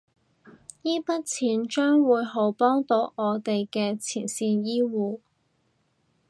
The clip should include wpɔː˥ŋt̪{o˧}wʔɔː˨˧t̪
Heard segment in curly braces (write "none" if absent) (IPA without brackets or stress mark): o˨˥